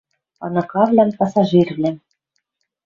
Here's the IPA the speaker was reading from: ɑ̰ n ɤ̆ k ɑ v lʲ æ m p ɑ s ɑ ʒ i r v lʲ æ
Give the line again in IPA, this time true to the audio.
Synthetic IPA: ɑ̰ n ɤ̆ k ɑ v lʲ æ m p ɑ s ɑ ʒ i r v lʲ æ